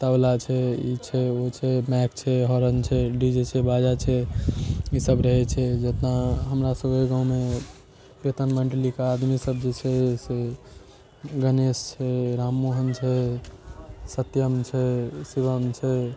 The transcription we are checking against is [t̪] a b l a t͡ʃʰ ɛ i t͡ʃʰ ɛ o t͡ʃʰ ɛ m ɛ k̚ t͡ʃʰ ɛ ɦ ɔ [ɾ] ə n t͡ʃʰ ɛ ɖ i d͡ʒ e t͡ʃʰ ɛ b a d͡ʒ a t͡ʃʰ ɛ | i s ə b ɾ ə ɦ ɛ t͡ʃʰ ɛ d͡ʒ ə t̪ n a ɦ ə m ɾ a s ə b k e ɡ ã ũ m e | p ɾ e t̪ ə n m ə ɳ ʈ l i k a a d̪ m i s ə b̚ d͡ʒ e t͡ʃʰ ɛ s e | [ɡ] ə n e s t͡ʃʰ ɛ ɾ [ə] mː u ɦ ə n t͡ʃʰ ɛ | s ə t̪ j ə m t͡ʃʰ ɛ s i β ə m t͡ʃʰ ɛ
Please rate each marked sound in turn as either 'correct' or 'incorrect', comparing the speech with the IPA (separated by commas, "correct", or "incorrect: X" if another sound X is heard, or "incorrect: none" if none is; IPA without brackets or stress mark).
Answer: correct, correct, correct, incorrect: a